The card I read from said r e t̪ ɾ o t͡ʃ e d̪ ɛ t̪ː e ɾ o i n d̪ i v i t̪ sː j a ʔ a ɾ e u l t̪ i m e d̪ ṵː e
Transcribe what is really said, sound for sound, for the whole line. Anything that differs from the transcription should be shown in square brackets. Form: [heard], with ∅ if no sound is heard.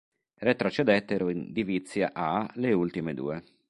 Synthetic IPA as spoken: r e t̪ ɾ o t͡ʃ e d̪ ɛ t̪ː e ɾ o i n d̪ i v i t̪ sː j a ʔ a [l] e u l t̪ i m e d̪ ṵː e